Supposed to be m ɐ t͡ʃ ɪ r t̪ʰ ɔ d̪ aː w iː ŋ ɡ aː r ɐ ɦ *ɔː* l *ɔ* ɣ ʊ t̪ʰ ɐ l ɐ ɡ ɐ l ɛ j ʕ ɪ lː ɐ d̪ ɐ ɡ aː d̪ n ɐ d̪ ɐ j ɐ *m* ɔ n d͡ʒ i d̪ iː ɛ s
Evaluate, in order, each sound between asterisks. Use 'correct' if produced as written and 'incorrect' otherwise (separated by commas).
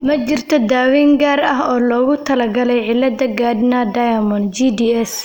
correct, incorrect, correct